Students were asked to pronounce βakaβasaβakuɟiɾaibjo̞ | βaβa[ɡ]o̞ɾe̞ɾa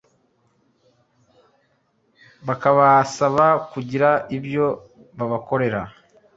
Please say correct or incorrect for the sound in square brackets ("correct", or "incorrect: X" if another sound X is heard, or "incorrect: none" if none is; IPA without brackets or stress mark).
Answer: incorrect: k